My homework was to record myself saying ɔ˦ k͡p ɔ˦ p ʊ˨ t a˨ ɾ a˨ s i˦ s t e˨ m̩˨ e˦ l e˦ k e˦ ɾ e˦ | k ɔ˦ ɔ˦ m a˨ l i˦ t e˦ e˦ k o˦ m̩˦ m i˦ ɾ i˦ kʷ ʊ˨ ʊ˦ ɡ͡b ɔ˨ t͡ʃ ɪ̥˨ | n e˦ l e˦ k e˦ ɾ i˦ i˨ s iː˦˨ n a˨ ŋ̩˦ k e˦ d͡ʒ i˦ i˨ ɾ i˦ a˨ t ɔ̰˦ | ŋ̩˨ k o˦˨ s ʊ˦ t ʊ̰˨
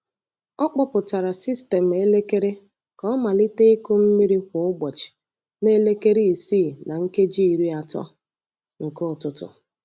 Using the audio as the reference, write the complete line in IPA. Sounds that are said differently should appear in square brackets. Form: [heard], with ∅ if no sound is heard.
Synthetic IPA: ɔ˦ k͡p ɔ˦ p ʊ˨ t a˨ ɾ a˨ s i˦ s t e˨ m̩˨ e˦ l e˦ k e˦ ɾ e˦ | k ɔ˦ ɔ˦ m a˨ l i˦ t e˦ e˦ k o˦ m̩˦ m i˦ ɾ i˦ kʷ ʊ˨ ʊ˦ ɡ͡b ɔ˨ t͡ʃ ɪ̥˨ | n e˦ l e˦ k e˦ ɾ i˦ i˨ s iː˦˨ n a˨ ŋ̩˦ k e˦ d͡ʒ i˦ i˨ ɾ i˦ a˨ t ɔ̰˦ | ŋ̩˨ k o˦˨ [t] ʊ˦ t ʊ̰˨